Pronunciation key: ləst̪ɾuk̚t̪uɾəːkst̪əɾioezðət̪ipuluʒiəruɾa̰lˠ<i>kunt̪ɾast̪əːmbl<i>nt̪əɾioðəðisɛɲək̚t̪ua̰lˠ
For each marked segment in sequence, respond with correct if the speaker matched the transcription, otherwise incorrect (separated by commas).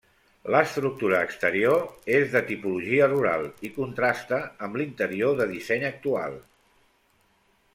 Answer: correct, correct